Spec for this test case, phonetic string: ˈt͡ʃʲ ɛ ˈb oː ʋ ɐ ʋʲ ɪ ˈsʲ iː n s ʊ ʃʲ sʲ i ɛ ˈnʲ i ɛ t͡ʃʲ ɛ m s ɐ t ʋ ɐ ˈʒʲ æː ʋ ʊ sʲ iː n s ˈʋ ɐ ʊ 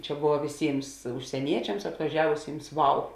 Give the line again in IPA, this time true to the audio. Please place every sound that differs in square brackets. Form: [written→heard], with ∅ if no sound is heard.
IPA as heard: ˈt͡ʃʲ ɛ ˈb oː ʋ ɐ ʋʲ ɪ ˈsʲ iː [n→m] s ʊ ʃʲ sʲ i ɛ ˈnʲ i ɛ t͡ʃʲ ɛ m s ɐ t ʋ ɐ ˈʒʲ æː ʋ ʊ sʲ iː [n→m] s ˈʋ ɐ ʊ